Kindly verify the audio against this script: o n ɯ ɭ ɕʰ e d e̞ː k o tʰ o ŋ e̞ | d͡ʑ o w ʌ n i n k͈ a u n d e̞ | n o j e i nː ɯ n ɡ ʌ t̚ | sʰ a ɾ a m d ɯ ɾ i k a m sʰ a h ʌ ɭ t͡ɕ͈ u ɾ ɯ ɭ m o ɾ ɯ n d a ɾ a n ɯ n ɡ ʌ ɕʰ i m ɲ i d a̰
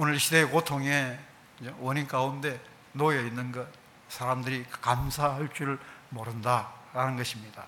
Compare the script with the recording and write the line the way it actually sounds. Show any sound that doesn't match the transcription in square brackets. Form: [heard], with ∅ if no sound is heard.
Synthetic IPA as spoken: o n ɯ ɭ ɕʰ [i] d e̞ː k o tʰ o ŋ e̞ | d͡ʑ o w ʌ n i n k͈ a u n d e̞ | n o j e i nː ɯ n ɡ ʌ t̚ | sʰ a ɾ a m d ɯ ɾ i k a m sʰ a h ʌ ɭ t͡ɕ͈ u ɾ ɯ ɭ m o ɾ ɯ n d a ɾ a n ɯ n ɡ ʌ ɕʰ i m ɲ i d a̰